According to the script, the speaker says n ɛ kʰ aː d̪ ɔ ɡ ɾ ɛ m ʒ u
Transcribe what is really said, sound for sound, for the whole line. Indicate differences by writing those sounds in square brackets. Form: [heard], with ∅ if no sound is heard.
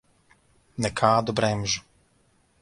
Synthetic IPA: n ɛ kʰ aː d̪ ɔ [b] ɾ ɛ m ʒ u